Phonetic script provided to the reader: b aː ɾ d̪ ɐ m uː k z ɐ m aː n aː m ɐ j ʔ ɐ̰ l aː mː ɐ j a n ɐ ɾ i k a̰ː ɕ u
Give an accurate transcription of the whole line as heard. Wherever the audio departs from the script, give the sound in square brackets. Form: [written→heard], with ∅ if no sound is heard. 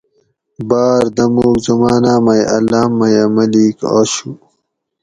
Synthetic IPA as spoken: b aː ɾ d̪ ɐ m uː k z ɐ m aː n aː m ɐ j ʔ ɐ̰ l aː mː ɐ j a [n→m] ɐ [ɾ→l] i k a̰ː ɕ u